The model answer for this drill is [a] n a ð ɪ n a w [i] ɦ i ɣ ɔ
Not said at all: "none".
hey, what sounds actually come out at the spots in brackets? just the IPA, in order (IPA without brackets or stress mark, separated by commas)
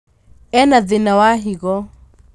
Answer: ɛ, a